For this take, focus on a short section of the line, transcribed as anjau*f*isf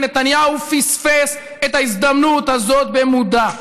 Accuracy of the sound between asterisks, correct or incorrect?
correct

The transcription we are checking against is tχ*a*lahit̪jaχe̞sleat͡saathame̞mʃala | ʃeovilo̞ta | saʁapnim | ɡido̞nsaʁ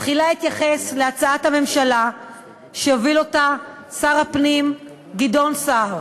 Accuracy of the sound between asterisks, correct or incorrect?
incorrect: i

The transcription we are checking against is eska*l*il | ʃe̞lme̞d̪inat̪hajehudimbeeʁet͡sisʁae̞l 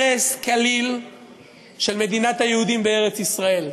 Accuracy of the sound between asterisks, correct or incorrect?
correct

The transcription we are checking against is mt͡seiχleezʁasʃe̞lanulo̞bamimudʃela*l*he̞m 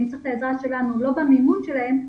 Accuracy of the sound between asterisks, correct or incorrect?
incorrect: none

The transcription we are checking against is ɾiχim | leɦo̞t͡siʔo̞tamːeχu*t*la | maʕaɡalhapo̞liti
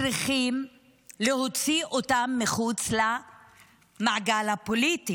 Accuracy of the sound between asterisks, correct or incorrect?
incorrect: t͡s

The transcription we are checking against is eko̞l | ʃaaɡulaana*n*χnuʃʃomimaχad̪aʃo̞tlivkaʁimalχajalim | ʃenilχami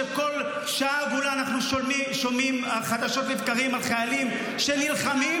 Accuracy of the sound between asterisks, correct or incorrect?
incorrect: none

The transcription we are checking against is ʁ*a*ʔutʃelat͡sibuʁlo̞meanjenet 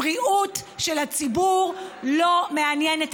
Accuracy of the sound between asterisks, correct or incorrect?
incorrect: i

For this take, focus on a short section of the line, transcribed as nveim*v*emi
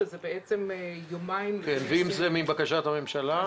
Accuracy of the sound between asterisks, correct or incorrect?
incorrect: z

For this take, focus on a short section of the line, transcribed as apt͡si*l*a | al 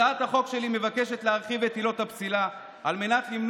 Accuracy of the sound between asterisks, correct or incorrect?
correct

